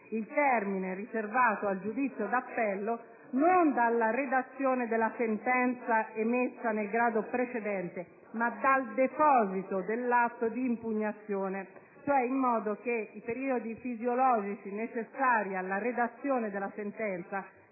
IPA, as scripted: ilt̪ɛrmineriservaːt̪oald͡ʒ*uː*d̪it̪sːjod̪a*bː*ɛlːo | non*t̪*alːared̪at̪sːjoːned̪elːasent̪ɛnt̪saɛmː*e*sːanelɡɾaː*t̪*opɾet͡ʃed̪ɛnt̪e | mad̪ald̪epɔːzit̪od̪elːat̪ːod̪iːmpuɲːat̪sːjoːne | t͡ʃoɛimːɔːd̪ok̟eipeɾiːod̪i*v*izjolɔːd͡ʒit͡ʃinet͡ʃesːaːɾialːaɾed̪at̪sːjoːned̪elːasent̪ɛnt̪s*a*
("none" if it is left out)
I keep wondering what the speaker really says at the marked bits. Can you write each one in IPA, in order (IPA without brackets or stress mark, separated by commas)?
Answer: u, pː, d̪, e, d̪, f, a